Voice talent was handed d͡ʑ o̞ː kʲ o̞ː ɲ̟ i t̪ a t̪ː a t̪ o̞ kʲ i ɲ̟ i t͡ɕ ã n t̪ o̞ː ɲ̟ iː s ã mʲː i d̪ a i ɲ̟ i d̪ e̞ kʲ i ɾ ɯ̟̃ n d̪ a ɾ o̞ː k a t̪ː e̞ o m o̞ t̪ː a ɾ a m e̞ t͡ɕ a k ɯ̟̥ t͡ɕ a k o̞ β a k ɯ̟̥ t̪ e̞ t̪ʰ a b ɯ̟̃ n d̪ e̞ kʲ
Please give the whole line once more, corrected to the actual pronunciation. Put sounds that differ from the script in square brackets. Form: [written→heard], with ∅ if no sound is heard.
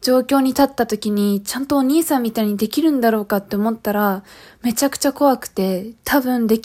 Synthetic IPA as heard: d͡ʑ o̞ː kʲ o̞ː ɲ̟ i t̪ a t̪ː a t̪ o̞ kʲ i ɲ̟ i t͡ɕ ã n t̪ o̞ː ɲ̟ iː s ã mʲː i [d̪→t̪] a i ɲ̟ i d̪ e̞ kʲ i ɾ ɯ̟̃ n d̪ a ɾ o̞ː k a t̪ː e̞ o m o̞ t̪ː a ɾ a m e̞ t͡ɕ a k ɯ̟̥ t͡ɕ a k o̞ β a k ɯ̟̥ t̪ e̞ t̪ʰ a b ɯ̟̃ n d̪ e̞ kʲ